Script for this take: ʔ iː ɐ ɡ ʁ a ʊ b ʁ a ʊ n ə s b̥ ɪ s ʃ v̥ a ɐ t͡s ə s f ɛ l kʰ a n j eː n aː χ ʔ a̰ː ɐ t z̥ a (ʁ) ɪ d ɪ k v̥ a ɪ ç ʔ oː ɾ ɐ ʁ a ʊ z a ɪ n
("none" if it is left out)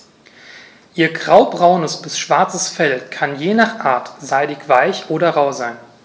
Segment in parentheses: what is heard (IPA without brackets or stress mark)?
none